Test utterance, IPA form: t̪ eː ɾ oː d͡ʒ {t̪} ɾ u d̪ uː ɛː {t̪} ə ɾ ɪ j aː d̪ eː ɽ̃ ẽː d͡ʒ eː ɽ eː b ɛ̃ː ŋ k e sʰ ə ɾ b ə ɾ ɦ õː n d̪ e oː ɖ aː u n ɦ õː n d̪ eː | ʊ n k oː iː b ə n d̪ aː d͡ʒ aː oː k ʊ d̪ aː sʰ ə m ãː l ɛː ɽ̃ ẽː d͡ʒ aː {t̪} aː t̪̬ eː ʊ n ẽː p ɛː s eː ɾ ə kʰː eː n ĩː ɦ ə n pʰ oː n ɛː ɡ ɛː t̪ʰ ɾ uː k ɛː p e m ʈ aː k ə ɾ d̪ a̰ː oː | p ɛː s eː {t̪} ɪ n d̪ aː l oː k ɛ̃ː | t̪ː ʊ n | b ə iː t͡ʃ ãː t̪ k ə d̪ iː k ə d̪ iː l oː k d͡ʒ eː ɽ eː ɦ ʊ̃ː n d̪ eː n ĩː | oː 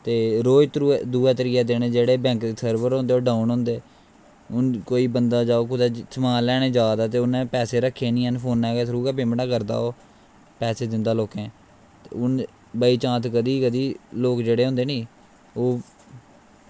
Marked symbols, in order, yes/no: yes, yes, no, no

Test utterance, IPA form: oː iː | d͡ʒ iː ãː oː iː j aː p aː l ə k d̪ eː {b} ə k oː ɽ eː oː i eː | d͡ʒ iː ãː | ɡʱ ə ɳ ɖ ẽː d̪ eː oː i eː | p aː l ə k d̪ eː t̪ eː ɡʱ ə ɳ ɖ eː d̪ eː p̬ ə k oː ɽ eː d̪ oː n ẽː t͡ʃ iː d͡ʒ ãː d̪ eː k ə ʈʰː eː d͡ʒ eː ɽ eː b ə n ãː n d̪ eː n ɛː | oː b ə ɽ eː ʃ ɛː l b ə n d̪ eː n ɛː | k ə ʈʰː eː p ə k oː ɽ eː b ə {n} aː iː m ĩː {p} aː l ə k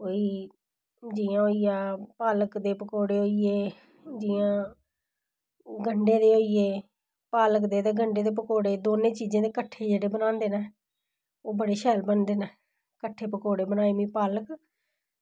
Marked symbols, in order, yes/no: no, yes, yes

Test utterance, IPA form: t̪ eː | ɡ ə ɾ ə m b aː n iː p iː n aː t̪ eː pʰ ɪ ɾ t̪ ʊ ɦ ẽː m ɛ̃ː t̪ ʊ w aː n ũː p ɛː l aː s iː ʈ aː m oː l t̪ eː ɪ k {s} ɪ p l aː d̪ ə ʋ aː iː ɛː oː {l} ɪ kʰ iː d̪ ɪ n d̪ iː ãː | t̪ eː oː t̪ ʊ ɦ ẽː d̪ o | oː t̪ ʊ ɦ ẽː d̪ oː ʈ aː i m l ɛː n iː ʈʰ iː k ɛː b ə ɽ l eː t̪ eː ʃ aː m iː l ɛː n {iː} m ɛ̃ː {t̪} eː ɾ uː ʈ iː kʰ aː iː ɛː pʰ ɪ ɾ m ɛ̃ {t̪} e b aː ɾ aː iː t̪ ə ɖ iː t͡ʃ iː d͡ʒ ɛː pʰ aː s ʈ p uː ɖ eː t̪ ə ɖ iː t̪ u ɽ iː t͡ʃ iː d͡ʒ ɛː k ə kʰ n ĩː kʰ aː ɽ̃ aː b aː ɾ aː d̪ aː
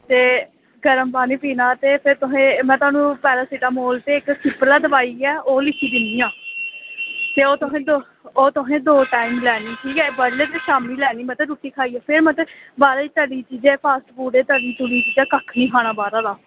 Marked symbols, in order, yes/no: yes, yes, yes, yes, yes

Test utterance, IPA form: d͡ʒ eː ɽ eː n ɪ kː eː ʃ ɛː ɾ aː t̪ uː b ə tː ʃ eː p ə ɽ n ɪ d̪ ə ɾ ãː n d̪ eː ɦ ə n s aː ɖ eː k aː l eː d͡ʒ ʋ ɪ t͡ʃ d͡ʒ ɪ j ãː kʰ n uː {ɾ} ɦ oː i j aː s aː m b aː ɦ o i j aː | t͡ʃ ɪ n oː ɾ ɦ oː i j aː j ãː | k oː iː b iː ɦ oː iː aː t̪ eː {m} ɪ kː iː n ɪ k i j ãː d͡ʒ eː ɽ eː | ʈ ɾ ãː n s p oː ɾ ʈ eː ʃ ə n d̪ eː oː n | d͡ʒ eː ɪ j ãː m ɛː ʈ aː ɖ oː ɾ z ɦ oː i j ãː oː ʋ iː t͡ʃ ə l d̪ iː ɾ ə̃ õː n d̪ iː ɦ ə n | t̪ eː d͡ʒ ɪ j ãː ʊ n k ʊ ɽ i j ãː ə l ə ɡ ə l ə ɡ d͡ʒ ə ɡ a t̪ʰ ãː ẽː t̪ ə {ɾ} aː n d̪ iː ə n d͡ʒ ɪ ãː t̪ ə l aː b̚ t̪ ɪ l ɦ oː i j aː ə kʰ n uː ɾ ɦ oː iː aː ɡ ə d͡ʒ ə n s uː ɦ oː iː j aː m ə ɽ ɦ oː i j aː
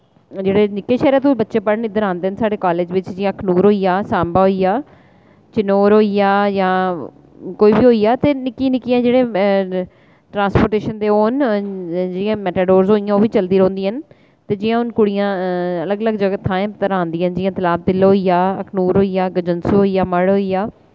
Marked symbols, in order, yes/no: yes, no, yes

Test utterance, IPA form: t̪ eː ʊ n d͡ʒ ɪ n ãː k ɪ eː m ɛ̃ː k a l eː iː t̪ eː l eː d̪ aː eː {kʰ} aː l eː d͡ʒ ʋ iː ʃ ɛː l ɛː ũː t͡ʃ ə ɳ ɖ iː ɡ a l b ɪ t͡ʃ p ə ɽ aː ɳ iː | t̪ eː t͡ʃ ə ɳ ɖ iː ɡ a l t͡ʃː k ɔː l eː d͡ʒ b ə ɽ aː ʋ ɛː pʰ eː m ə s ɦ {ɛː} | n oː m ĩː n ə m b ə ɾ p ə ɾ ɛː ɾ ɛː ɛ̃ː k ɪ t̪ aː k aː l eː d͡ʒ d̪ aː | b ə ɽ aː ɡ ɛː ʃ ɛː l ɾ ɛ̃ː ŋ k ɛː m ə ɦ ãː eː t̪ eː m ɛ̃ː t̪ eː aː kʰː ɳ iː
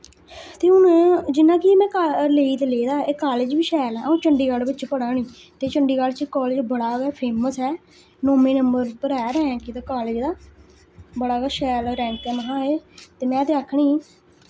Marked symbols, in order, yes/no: no, yes

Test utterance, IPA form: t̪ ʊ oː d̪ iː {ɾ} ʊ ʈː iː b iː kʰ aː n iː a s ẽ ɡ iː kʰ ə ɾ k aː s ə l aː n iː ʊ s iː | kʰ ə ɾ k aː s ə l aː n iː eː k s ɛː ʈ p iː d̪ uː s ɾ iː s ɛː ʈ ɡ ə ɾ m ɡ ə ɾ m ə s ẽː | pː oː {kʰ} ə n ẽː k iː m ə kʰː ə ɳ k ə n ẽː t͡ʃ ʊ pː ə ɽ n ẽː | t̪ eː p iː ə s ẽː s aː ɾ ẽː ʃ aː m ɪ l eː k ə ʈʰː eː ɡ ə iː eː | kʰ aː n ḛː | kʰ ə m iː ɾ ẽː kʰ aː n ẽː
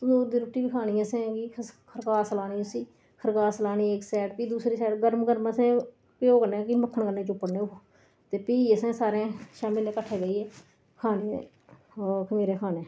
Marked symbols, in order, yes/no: yes, no

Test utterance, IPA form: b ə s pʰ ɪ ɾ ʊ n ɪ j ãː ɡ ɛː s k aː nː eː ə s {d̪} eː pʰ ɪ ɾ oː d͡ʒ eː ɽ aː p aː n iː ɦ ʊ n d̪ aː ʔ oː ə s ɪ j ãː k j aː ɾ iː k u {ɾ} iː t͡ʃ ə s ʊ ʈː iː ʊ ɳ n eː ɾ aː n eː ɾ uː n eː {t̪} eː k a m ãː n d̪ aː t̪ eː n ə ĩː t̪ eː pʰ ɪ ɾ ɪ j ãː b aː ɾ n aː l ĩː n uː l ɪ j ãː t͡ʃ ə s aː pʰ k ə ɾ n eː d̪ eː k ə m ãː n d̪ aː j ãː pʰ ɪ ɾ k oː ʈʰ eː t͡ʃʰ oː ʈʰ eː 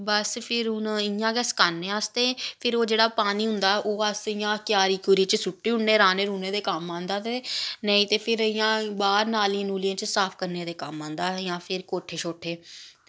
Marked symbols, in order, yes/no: no, yes, no

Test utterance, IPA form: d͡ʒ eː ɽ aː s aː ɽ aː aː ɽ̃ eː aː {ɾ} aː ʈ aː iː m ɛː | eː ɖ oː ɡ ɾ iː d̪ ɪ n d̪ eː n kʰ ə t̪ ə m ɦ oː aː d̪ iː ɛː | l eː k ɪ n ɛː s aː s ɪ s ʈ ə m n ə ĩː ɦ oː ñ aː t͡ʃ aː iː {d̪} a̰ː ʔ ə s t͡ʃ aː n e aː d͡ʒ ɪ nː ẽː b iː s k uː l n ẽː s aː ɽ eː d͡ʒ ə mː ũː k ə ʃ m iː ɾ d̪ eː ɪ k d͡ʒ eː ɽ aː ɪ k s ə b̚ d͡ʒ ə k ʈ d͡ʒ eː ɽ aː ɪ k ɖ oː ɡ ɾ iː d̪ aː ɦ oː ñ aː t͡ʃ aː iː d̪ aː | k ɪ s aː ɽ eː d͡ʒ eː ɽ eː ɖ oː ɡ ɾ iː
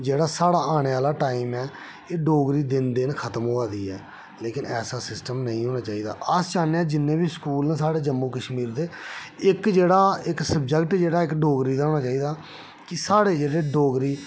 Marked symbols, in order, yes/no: no, yes

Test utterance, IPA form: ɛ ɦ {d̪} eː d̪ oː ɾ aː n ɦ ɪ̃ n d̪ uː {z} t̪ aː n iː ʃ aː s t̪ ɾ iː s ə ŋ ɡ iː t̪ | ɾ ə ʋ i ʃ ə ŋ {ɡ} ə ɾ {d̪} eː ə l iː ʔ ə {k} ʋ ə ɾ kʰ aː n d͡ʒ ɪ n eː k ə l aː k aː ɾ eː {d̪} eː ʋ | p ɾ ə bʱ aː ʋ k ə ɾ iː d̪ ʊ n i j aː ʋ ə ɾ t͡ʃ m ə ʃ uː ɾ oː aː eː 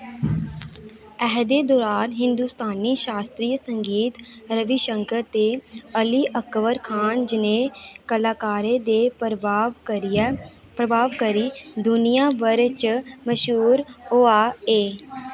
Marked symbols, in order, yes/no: yes, no, no, no, yes, yes

